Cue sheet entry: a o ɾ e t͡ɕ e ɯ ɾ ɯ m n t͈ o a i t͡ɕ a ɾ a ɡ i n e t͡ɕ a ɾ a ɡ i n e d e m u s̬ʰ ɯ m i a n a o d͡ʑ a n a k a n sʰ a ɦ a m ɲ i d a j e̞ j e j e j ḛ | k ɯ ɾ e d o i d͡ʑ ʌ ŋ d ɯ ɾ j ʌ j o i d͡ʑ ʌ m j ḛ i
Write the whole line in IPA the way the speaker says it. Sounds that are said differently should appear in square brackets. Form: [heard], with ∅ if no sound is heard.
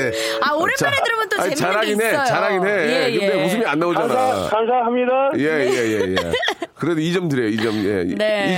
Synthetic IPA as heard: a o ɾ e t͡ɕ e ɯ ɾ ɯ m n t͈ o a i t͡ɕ a ɾ a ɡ i n e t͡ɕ a ɾ a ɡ i n e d e m u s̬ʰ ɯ m i a [nː] a o d͡ʑ a n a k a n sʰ a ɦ a m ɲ i d a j e̞ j e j e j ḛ | k ɯ ɾ e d o i d͡ʑ ʌ [m] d ɯ ɾ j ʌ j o i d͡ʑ ʌ m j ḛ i